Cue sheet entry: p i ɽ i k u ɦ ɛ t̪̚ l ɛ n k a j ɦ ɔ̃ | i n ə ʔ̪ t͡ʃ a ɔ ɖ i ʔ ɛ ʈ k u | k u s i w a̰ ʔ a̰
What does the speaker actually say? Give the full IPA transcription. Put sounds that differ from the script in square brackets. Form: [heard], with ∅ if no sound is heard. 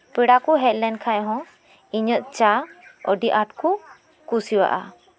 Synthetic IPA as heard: p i ɽ [a] k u ɦ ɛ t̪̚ l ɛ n [kʰ] a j ɦ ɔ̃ | i [ɲ] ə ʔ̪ t͡ʃ a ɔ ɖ i ʔ [a] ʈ k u | k u s i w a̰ ʔ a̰